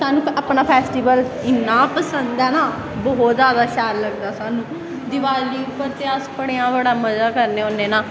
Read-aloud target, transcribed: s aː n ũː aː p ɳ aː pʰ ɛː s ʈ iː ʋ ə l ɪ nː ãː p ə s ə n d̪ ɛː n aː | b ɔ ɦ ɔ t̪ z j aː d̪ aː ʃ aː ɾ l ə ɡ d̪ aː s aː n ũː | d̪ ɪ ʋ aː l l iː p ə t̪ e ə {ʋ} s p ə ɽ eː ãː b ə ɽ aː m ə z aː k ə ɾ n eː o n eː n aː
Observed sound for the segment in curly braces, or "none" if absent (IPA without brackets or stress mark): none